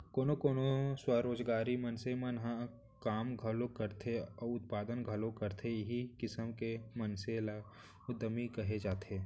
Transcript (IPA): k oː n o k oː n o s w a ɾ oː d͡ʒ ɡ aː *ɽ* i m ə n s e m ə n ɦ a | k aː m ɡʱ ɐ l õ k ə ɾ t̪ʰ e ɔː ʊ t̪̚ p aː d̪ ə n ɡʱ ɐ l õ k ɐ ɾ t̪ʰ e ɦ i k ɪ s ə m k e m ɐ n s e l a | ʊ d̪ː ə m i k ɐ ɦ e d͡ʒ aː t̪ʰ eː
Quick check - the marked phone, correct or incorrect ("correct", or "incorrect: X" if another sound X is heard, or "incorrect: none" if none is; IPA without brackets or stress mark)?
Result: incorrect: ɾ